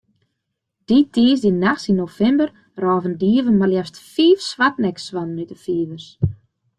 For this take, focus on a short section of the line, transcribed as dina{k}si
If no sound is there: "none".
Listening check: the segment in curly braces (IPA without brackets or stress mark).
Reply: x